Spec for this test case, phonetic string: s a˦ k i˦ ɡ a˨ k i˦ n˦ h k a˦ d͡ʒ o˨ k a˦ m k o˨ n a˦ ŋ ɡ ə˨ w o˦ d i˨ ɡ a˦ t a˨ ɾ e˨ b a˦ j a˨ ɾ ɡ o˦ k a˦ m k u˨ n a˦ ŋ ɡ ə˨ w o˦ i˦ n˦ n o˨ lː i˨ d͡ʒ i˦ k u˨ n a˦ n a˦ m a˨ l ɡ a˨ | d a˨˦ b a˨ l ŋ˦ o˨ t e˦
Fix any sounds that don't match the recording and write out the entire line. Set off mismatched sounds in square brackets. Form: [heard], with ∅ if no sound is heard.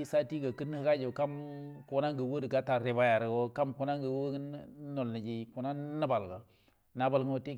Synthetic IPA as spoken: s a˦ [t] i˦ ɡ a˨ k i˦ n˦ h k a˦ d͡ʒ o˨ k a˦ m k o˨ n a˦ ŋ ɡ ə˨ w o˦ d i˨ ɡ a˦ t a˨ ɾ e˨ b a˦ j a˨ ɾ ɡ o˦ k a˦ m k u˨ n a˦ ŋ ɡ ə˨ w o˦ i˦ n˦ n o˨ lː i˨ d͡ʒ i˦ k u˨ n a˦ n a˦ [b] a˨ l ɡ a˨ | [n] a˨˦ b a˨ l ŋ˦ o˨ t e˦